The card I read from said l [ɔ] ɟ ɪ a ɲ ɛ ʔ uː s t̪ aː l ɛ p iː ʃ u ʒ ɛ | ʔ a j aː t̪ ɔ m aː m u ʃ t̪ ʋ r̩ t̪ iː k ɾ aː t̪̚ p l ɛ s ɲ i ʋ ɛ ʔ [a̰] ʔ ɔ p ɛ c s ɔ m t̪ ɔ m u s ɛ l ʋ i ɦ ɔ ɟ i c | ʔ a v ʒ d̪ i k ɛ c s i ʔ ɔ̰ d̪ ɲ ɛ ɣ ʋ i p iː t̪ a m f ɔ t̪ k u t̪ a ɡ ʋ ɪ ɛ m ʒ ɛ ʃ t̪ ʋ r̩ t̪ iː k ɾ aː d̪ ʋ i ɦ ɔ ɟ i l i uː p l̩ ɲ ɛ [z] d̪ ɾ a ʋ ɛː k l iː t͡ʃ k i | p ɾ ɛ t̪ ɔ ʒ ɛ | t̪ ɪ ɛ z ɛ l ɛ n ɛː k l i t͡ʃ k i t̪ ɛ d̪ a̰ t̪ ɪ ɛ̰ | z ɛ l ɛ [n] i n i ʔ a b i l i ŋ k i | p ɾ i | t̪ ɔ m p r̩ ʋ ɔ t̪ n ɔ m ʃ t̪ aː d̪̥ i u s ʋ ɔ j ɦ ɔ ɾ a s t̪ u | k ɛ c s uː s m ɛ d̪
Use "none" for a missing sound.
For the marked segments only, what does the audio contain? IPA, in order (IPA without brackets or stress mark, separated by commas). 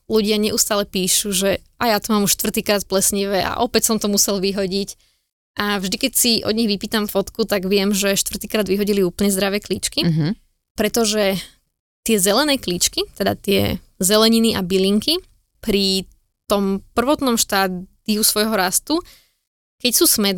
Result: u, a̰, z, ɲ